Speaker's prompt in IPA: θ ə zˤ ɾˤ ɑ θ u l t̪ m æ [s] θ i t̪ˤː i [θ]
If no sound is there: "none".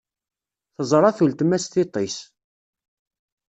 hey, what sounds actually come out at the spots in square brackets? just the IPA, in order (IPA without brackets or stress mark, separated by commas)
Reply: s, s